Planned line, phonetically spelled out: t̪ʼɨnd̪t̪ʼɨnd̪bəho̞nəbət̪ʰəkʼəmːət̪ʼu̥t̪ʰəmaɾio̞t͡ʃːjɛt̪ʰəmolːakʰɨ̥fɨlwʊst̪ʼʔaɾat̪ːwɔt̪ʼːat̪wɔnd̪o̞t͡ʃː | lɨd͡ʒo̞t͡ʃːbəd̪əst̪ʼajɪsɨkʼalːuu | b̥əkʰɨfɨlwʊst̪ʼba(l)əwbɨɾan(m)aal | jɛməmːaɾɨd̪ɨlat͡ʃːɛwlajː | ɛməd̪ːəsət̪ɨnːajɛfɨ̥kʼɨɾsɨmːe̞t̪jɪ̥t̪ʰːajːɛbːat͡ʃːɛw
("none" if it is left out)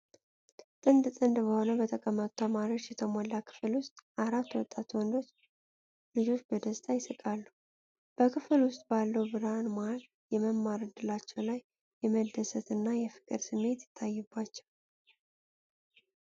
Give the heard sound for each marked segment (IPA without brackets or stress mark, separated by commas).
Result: lː, m